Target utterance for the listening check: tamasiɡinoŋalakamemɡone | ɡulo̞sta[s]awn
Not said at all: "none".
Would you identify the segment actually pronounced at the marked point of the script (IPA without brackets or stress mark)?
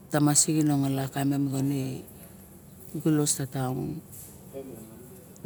t